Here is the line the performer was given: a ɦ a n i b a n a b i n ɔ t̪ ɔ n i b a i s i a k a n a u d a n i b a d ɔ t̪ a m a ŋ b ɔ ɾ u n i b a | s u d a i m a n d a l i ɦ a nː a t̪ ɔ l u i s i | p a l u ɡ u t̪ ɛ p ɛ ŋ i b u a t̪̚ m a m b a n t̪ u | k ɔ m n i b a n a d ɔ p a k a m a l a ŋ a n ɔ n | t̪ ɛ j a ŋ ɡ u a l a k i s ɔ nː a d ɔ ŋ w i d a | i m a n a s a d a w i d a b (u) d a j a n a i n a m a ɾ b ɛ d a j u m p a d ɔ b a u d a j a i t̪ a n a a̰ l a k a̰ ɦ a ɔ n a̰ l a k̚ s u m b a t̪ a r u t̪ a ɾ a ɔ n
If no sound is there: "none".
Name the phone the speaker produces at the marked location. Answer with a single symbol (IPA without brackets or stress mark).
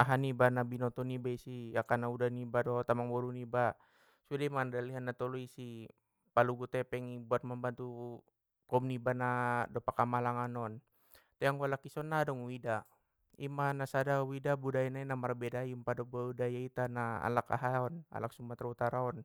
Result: u